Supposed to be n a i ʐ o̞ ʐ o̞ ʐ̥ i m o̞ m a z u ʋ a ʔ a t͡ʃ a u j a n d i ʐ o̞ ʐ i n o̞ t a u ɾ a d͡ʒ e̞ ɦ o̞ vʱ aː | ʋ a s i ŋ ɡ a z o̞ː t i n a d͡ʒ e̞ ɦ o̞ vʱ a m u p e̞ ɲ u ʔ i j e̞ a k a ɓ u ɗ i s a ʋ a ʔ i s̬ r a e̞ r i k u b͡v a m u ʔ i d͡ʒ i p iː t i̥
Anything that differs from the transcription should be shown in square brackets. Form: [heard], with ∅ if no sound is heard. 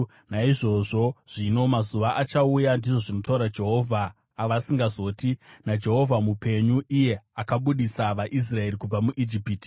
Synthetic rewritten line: n a i ʐ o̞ ʐ o̞ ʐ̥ i [n] o̞ m a z u ʋ a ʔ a t͡ʃ a u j a n d i ʐ o̞ ʐ i n o̞ t a u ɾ a d͡ʒ e̞ ɦ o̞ vʱ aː | ʋ a s i ŋ ɡ a z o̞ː t i n a d͡ʒ e̞ ɦ o̞ vʱ a m u p e̞ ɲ u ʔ i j e̞ a k a ɓ u ɗ i s a ʋ a ʔ i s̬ r a e̞ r i k u b͡v a m u ʔ i d͡ʒ i p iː t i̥